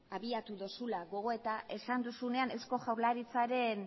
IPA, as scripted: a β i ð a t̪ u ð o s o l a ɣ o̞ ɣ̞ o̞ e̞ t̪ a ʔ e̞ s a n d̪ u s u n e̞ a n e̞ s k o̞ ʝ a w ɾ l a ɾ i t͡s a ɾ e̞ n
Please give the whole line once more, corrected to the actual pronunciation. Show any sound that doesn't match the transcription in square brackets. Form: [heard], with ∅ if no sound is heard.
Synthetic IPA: a β i [∅] a t̪ u ð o s [u] l a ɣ o̞ ɣ̞ o̞ e̞ t̪ a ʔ e̞ s a n d̪ u s u n e̞ a n e̞ s k o̞ ʝ a w ɾ l a ɾ i t͡s a ɾ e̞ n